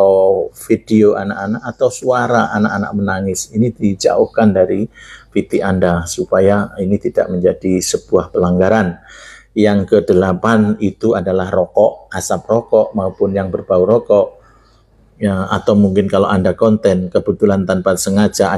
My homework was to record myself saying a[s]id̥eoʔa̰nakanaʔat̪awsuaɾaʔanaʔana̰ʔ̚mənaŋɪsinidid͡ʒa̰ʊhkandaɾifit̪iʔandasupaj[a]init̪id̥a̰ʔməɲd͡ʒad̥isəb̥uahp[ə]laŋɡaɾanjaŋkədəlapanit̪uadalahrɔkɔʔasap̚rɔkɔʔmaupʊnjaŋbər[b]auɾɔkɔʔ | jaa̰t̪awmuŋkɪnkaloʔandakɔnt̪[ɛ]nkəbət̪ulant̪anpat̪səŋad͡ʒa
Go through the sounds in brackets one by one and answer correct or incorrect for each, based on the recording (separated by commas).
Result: incorrect, correct, correct, correct, correct